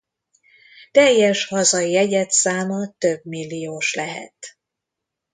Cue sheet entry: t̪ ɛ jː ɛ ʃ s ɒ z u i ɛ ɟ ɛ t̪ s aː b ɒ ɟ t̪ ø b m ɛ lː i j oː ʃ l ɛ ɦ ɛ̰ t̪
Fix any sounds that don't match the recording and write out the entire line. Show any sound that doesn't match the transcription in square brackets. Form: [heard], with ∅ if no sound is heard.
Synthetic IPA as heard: t̪ ɛ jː ɛ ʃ [h] ɒ z [ɒ] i ɛ ɟ ɛ t̪ s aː [m] ɒ [∅] t̪ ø b m [i] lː i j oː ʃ l ɛ ɦ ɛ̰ t̪

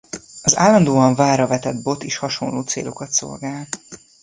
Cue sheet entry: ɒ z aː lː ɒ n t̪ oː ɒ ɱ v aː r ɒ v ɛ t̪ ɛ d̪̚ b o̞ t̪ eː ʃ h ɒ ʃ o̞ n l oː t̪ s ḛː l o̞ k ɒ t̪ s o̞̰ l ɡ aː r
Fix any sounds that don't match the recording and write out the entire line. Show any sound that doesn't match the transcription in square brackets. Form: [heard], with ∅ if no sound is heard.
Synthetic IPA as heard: ɒ z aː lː ɒ n [d̪] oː ɒ ɱ v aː r ɒ v ɛ t̪ ɛ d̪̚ b o̞ t̪ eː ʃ h ɒ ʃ o̞ n l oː t̪ s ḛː l o̞ k ɒ t̪ s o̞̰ l ɡ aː [l]

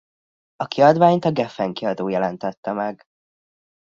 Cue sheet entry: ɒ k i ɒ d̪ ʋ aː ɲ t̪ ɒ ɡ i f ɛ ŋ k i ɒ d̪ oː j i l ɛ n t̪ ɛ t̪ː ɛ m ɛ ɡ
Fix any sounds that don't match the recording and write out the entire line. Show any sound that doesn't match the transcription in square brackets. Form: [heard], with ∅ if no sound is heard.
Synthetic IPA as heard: ɒ k i ɒ d̪ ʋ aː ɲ t̪ ɒ ɡ [ɛ] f ɛ ŋ k i ɒ d̪ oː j [ɛ] l ɛ n t̪ ɛ t̪ː ɛ m ɛ ɡ

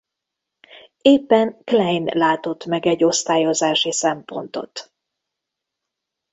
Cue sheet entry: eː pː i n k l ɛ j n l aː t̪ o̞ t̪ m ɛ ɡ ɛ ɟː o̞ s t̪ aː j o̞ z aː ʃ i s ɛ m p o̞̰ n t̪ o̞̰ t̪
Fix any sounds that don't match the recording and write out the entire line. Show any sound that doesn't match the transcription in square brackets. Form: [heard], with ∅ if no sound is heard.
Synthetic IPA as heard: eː pː [ɛ] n k l ɛ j n l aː t̪ o̞ t̪ m ɛ ɡ ɛ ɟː o̞ s t̪ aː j o̞ z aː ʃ i s ɛ m p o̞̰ n t̪ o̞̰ t̪

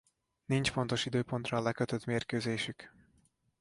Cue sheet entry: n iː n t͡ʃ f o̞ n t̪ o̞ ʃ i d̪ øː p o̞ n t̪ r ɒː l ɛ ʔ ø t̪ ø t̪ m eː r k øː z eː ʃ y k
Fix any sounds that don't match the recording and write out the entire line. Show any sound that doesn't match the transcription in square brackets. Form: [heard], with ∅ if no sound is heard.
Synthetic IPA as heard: n [i] n t͡ʃ f o̞ n t̪ o̞ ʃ i d̪ øː p o̞ n t̪ r ɒː l ɛ [k] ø t̪ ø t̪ m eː r k øː z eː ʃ y k

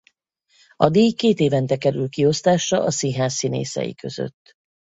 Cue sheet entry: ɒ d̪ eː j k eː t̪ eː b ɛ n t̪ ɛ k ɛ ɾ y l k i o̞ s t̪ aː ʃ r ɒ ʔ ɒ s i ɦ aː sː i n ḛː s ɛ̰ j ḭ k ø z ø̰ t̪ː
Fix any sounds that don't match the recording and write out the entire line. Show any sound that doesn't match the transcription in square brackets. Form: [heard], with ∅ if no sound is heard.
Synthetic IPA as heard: ɒ d̪ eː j k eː t̪ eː [v] ɛ n t̪ ɛ k ɛ ɾ y l k i o̞ s t̪ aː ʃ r ɒ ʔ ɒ s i ɦ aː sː i n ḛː s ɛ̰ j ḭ k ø z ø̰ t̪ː

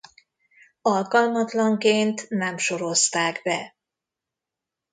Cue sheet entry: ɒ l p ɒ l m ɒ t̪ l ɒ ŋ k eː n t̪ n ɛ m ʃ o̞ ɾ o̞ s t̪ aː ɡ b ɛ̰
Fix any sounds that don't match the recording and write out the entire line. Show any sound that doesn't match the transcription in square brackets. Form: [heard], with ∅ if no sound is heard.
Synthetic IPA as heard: ɒ l [k] ɒ l m ɒ t̪ l ɒ ŋ k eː n t̪ n ɛ m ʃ o̞ ɾ o̞ s t̪ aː ɡ b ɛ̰

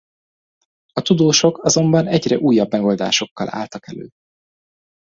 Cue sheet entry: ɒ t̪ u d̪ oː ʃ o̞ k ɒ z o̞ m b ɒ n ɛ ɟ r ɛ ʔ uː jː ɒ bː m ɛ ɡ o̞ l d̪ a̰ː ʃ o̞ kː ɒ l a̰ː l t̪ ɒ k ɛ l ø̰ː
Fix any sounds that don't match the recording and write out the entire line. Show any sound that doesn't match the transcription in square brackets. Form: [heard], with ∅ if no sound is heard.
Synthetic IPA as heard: ɒ t̪ u d̪ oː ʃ o̞ k ɒ z o̞ m b ɒ n ɛ ɟ r ɛ ʔ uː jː ɒ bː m ɛ ɡ o̞ l d̪ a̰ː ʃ o̞ kː ɒ l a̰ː l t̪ ɒ k ɛ l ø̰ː

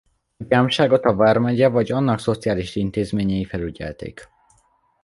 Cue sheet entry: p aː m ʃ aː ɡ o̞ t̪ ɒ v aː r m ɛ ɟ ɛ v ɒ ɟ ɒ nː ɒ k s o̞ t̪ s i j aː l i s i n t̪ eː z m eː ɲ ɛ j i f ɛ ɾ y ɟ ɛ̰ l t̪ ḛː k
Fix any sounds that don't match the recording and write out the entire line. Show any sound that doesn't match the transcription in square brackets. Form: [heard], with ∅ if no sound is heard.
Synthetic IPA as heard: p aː m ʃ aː ɡ o̞ t̪ ɒ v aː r m ɛ ɟ ɛ v ɒ ɟ ɒ nː ɒ k s o̞ t̪ s i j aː l i [ʃ] i n t̪ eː z m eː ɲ ɛ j i f ɛ [l] y ɟ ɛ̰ l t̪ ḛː k

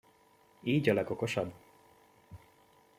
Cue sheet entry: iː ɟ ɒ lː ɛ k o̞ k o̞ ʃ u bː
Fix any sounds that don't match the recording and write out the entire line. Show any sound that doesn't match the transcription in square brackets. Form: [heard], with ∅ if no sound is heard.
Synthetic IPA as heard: iː ɟ ɒ [l] ɛ [ɡ] o̞ k o̞ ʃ [ɒ] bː

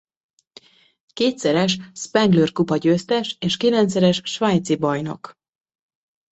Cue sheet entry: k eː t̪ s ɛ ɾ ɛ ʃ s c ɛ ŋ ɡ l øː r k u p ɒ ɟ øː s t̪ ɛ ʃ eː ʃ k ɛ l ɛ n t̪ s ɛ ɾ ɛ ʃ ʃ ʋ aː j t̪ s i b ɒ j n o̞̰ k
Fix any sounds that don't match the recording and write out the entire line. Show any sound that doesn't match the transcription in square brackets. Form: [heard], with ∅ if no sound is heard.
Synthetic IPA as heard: k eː t̪ s ɛ ɾ ɛ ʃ s [p] ɛ ŋ ɡ l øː r k u p ɒ ɟ øː s t̪ ɛ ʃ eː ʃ k [i] l ɛ n t̪ s ɛ ɾ ɛ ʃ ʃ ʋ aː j t̪ s i b ɒ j n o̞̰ k

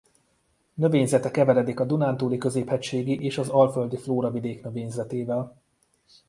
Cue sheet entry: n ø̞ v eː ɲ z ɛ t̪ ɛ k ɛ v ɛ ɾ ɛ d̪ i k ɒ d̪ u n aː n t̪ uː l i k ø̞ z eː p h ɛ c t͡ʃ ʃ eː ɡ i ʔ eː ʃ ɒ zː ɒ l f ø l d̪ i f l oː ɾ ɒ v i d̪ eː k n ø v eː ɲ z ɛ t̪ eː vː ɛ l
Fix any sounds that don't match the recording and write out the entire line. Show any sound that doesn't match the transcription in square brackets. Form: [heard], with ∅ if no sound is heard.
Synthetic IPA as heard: n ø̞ v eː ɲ z ɛ t̪ ɛ k ɛ v ɛ ɾ ɛ d̪ i k ɒ d̪ u n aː n t̪ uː l i k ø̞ z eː p h ɛ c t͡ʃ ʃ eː ɡ i ʔ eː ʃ ɒ [z] ɒ l f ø l d̪ i f l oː ɾ ɒ v i d̪ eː k n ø v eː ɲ z ɛ t̪ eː [v] ɛ l

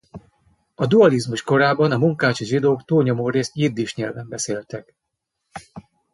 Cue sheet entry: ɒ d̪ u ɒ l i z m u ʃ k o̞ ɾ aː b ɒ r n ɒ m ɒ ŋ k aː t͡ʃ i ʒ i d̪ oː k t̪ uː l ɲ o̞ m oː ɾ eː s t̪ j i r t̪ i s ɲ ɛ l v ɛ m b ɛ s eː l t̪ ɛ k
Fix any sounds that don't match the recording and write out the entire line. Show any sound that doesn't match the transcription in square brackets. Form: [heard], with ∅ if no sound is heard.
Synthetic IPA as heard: ɒ d̪ u ɒ l i z m u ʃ k o̞ ɾ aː b ɒ [∅] n ɒ m [u] ŋ k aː t͡ʃ i ʒ i d̪ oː k t̪ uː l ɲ o̞ m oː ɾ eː s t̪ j i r [d̪] i [ʃ] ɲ ɛ l v ɛ m b ɛ s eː l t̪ ɛ k

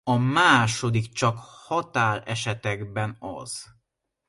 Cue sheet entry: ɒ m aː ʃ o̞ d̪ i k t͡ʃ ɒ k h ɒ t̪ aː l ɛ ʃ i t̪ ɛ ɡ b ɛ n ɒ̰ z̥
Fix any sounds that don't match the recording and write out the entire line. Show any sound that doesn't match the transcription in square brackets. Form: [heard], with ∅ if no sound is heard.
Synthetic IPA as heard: ɒ m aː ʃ o̞ d̪ i k t͡ʃ ɒ k h ɒ t̪ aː l ɛ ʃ [ɛ] t̪ ɛ ɡ b ɛ n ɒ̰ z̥

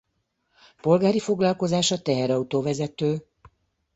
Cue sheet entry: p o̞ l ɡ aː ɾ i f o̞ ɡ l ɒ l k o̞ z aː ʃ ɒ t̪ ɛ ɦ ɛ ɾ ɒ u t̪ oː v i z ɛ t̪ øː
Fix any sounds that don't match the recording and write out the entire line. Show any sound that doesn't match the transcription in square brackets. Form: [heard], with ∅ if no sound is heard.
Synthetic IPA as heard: p o̞ l ɡ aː ɾ i f o̞ ɡ l ɒ l k o̞ z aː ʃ ɒ t̪ ɛ ɦ ɛ ɾ ɒ u t̪ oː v [ɛ] z ɛ t̪ øː

